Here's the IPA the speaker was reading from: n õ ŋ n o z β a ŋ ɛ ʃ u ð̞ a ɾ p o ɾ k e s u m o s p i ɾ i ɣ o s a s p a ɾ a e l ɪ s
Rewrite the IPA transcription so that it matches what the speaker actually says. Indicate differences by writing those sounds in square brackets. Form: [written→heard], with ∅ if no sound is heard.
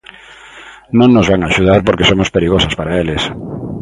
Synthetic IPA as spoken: n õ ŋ n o z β a ŋ [ɛ→a] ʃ u ð̞ a ɾ p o ɾ k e s [u→o] m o s p [i→e] ɾ i ɣ o s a s p a ɾ a e l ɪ s

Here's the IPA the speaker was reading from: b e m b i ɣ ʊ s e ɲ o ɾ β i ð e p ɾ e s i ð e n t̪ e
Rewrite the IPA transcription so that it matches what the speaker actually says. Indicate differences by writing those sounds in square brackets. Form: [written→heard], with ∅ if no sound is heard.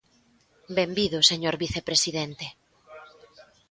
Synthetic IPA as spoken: b e m b i [ɣ→ð] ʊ s e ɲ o ɾ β i [ð→θ] e p ɾ e s i ð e n t̪ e

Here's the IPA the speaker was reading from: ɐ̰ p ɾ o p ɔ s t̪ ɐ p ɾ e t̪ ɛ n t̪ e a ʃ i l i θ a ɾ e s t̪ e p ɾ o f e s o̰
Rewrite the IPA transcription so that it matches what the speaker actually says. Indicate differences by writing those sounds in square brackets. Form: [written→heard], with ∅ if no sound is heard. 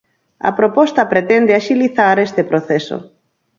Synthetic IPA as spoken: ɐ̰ p ɾ o p ɔ s t̪ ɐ p ɾ e t̪ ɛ n [t̪→d̪] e a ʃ i l i θ a ɾ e s t̪ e p ɾ o [f→θ] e s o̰

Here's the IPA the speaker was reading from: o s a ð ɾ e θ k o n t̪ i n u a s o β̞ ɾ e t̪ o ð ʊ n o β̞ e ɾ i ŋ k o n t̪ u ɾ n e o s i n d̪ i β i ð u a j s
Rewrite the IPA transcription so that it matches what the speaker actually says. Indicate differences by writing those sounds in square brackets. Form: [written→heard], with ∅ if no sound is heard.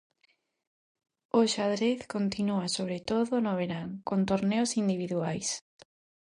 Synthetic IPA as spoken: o [s→ʃ] a ð ɾ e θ k o n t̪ i n u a s o β̞ ɾ e t̪ o ð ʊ n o β̞ e ɾ [i→a] ŋ k o n t̪ [u→o] ɾ n e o s i n d̪ i β i ð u a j s

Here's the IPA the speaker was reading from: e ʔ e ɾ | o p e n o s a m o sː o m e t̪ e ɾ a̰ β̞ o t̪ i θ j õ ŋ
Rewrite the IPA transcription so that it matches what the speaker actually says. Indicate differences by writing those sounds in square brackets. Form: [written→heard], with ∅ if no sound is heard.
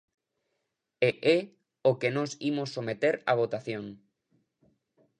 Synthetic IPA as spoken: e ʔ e [ɾ→∅] | o [p→k] e n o s [a→i] m o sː o m e t̪ e ɾ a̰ β̞ o t̪ [i→a] θ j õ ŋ

